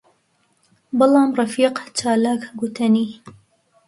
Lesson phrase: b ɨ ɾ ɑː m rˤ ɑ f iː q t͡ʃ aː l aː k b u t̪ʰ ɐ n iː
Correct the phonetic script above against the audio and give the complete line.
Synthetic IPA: b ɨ l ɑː m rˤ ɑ f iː q t͡ʃ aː l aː k ɡ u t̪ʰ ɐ n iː